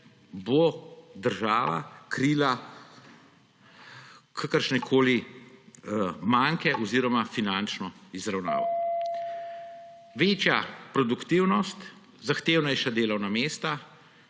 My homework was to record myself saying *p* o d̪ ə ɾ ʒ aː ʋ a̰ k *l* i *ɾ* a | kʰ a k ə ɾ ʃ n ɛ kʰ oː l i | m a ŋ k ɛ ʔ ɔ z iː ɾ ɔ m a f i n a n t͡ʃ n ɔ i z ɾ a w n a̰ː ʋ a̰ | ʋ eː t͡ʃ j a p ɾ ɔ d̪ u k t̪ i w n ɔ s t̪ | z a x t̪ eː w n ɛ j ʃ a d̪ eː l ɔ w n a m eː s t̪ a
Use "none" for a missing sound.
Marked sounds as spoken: b, ɾ, l

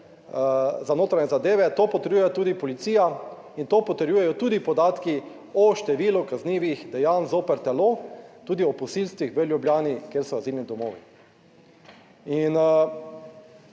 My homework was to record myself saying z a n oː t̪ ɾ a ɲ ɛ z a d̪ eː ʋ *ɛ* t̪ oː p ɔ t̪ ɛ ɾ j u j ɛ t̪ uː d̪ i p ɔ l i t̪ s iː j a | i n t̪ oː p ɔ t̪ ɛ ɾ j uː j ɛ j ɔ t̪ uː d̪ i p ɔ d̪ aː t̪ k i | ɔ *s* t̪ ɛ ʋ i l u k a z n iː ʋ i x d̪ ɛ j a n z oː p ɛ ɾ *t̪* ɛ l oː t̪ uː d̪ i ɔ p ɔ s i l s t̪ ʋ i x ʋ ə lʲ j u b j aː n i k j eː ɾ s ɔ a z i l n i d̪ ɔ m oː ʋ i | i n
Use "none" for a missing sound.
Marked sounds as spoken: ɛ, ʃ, t̪

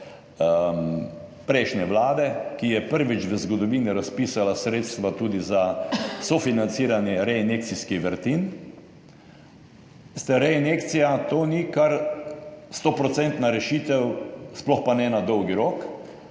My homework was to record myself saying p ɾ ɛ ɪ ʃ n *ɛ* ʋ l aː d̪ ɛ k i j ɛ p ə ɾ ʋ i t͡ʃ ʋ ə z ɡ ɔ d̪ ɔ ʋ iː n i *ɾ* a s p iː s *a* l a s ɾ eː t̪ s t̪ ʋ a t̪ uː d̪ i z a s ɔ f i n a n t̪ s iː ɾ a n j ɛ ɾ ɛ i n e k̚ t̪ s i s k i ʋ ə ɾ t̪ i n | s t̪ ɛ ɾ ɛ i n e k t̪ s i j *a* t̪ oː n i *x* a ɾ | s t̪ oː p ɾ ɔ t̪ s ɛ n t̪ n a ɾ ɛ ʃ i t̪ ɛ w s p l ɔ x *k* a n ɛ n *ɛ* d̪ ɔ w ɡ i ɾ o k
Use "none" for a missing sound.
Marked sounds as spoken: ɛ, ɾ, a, a, k, p, a

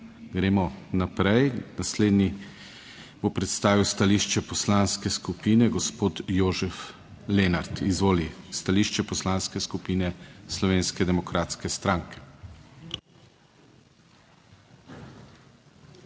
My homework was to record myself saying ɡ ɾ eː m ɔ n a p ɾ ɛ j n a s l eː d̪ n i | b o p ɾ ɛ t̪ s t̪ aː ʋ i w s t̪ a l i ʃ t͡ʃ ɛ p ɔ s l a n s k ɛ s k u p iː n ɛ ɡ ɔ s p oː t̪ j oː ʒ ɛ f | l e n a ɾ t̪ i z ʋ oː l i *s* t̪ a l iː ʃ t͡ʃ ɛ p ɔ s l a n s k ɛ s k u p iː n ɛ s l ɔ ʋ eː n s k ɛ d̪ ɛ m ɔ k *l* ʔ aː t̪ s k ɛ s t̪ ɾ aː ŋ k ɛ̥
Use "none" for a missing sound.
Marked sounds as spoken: s, ɾ

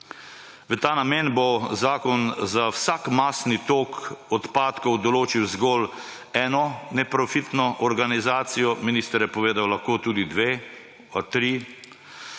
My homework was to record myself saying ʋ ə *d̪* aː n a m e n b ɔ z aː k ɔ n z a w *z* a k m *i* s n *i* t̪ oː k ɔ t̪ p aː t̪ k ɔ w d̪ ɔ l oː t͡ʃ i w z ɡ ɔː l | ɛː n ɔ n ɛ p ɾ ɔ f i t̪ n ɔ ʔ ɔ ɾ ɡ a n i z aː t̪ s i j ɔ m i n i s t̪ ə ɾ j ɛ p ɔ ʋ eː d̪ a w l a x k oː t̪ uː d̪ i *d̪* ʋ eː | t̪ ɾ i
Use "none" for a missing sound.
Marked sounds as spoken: t̪, s, a, i, d̪

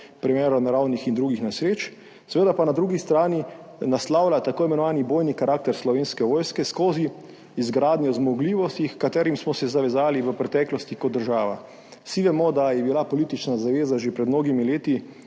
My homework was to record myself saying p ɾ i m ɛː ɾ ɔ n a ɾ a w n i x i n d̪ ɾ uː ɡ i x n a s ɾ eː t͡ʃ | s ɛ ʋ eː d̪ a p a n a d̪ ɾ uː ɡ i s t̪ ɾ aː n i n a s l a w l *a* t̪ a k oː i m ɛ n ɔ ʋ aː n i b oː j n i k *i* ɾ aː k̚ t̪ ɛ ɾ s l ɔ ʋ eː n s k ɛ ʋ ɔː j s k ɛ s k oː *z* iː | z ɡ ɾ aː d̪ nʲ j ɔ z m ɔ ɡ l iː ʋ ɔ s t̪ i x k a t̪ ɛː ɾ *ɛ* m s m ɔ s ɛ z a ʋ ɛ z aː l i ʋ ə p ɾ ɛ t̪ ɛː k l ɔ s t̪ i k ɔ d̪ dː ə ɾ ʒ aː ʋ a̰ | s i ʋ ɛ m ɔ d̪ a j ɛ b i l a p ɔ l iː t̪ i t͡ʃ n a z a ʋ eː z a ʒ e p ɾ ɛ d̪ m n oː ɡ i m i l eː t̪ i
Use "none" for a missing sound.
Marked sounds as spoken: a, a, z, i

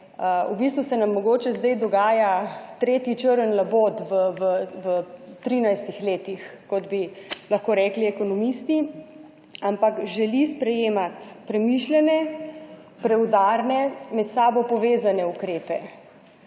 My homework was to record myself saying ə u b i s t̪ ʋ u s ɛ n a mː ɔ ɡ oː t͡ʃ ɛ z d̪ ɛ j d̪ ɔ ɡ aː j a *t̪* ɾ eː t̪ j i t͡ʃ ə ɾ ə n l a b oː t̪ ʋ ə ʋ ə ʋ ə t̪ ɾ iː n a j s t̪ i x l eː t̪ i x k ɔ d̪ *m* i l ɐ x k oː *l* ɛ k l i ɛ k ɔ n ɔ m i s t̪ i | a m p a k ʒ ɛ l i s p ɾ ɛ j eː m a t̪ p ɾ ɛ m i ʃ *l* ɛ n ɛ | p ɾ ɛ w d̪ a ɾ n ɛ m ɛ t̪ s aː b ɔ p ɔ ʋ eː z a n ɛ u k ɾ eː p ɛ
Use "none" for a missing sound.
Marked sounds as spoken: t̪, b, ɾ, l

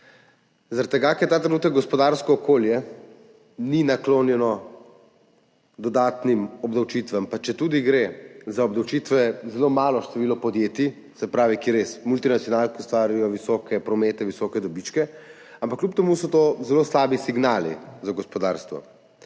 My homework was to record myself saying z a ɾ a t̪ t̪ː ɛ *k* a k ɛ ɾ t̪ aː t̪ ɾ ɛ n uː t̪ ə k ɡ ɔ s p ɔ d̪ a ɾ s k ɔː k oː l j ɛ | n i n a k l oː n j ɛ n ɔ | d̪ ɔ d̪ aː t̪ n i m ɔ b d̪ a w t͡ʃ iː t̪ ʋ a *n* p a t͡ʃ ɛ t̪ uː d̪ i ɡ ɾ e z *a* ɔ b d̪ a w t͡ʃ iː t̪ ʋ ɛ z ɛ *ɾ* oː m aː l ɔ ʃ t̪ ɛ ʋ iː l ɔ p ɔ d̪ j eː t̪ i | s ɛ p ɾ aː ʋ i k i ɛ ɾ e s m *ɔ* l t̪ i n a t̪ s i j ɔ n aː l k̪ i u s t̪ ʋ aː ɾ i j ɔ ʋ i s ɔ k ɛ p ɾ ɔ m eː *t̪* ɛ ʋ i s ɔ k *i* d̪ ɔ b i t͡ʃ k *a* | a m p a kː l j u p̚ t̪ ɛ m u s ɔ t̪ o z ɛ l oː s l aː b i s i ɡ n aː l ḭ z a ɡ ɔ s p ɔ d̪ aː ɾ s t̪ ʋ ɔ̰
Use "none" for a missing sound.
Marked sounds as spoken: ɡ, m, a, l, u, t̪, ɛ, ɛ

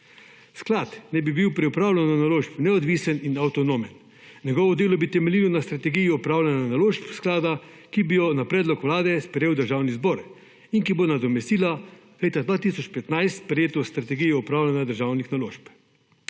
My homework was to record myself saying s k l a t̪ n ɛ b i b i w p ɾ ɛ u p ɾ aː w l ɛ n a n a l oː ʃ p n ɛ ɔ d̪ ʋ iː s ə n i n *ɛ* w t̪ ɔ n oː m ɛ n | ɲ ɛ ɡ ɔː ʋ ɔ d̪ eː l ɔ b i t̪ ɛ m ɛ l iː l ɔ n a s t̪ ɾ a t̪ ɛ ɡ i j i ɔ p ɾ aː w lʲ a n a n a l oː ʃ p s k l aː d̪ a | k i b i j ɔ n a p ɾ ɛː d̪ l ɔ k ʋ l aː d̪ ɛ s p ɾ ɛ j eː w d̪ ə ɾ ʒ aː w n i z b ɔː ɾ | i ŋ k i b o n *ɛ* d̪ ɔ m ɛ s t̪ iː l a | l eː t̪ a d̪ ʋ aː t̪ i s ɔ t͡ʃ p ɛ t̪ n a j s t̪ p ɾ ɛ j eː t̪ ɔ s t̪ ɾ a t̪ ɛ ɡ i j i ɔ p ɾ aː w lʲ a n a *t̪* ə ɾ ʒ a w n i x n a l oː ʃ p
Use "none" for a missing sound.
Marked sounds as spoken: a, a, d̪

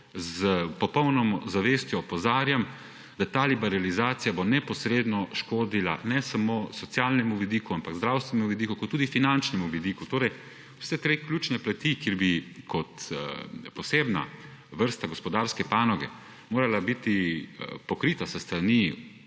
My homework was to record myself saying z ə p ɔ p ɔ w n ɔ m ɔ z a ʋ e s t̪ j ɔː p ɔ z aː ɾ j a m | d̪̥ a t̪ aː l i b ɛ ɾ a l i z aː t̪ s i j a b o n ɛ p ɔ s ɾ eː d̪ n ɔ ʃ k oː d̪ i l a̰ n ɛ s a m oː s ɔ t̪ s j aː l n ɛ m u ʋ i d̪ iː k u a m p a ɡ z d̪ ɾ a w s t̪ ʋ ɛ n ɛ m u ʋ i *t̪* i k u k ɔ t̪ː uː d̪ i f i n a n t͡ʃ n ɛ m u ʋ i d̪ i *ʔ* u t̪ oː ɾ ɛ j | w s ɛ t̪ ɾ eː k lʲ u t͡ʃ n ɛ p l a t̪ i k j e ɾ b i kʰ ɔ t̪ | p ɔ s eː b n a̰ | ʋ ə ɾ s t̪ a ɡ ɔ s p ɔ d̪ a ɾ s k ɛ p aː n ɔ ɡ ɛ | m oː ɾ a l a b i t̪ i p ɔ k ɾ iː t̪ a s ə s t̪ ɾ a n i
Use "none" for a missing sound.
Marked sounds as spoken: d̪, k

